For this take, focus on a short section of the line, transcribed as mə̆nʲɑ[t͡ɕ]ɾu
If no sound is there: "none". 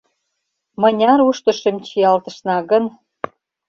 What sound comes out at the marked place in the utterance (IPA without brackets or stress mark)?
none